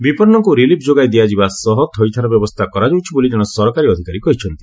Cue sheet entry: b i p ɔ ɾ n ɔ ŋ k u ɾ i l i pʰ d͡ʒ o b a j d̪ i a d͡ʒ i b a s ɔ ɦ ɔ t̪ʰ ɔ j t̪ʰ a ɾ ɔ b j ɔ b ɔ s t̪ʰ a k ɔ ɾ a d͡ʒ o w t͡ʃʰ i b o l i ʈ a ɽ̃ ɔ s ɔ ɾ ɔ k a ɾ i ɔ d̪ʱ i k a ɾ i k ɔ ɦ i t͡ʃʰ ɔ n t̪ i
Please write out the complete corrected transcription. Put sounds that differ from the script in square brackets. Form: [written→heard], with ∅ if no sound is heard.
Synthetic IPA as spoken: b i p ɔ ɾ n ɔ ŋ k u ɾ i l i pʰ d͡ʒ o [b→ɡ] a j d̪ i a d͡ʒ i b a s ɔ ɦ ɔ t̪ʰ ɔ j t̪ʰ a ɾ ɔ b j ɔ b ɔ s t̪ʰ a k ɔ ɾ a d͡ʒ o w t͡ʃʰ i b o l i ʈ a ɽ̃ ɔ s ɔ ɾ ɔ k a ɾ i ɔ d̪ʱ i k a ɾ i k ɔ ɦ i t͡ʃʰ ɔ n t̪ i